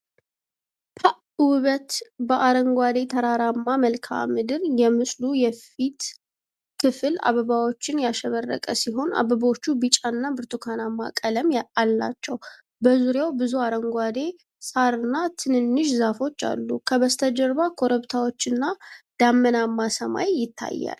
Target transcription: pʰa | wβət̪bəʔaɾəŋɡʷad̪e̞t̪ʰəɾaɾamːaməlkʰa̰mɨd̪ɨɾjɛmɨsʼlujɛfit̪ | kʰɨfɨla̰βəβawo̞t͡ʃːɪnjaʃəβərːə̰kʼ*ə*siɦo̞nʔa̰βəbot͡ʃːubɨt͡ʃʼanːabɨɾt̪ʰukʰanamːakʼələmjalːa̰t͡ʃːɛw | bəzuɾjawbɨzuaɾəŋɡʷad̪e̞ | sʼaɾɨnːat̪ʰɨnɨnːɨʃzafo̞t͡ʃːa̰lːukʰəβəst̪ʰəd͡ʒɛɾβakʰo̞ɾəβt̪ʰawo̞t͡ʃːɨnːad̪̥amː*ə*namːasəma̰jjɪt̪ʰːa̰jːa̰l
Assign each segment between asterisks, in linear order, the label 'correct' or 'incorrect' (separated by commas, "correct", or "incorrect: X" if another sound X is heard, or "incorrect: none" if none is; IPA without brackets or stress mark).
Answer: correct, correct